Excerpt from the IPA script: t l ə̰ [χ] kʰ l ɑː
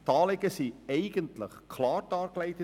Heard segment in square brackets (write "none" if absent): χ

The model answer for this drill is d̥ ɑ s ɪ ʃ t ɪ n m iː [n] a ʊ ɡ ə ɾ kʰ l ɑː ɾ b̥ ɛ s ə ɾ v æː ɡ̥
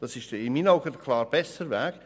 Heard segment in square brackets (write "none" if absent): n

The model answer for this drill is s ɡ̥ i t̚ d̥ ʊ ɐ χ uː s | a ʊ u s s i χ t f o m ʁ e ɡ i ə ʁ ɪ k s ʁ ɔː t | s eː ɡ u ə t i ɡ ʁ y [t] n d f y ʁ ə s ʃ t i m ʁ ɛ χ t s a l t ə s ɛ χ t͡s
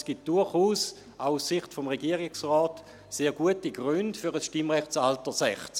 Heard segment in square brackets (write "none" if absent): none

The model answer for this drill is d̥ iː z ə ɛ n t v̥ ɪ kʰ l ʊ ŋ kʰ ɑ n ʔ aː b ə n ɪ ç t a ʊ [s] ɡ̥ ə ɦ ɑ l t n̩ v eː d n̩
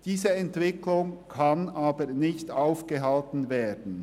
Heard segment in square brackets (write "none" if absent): f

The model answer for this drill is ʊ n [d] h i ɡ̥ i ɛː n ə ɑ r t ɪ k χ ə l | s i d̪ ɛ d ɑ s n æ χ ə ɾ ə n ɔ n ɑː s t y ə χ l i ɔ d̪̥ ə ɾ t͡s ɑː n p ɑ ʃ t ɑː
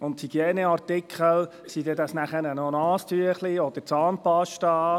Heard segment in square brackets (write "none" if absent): t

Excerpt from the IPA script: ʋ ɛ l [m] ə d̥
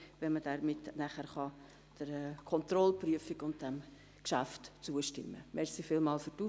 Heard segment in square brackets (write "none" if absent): m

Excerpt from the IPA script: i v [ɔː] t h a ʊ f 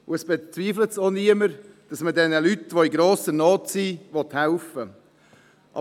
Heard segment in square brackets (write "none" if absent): ɔ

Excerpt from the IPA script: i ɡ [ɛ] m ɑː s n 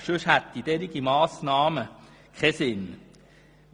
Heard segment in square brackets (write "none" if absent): i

